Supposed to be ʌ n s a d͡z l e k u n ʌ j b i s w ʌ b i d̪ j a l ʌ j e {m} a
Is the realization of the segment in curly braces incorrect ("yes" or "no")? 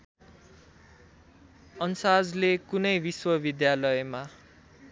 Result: no